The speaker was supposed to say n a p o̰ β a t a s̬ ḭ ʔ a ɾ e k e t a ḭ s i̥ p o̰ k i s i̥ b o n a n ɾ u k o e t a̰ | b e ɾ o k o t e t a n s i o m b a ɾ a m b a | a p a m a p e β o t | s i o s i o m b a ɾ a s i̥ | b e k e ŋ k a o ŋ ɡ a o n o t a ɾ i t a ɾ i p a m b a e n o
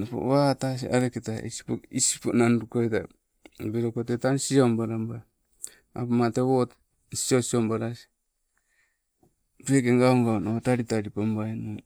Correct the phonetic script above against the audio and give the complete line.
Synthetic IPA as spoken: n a p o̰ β a t a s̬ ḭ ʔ a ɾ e k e t a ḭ s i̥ p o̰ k i s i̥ p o n a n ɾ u k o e t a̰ | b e ɾ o k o t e t a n s i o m b a ɾ a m b a | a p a m a t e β o t | s i o s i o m b a ɾ a s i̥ | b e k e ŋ ɡ a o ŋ ɡ a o n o t a ɾ i t a ɾ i p a m b a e n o